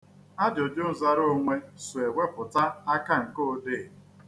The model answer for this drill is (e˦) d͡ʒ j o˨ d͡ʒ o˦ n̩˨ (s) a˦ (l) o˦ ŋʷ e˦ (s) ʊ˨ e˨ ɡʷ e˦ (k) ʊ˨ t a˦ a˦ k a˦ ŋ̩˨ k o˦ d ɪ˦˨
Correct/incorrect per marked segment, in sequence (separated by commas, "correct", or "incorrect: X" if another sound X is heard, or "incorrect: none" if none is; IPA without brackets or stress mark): incorrect: a˦, incorrect: z, incorrect: ɾ, correct, incorrect: p